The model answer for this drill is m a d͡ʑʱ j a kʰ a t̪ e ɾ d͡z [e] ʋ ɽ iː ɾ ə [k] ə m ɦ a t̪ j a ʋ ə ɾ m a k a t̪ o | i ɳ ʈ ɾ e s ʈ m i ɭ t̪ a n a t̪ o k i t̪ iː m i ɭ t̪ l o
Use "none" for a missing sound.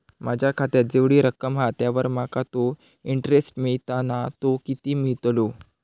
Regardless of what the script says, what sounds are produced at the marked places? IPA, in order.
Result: e, k

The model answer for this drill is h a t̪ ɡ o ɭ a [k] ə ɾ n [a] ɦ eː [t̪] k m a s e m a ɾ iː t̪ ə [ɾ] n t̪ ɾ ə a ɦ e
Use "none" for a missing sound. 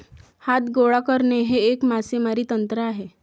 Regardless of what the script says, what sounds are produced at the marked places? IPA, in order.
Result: k, e, none, none

